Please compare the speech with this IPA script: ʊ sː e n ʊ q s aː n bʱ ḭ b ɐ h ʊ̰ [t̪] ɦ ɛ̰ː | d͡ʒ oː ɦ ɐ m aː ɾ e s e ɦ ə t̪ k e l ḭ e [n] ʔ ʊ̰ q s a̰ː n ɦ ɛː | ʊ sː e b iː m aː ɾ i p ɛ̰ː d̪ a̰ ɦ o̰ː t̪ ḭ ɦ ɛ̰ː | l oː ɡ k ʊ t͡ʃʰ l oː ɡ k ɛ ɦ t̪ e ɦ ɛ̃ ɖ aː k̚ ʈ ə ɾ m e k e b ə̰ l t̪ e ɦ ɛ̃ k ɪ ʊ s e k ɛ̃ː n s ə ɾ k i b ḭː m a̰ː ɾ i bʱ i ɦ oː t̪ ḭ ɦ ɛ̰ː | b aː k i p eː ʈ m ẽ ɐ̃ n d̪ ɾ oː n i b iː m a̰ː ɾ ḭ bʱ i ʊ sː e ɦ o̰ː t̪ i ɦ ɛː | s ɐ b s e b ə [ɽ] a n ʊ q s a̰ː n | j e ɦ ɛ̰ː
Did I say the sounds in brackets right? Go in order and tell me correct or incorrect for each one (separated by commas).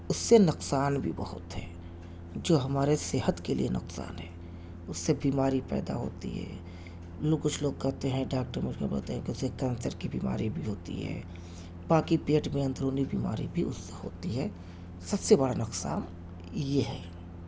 correct, correct, correct